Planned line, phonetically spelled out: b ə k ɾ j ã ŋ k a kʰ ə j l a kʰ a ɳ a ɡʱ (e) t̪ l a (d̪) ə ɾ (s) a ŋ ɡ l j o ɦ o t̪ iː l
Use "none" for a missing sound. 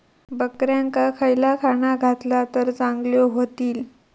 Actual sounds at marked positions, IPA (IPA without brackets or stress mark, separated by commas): a, t̪, t͡s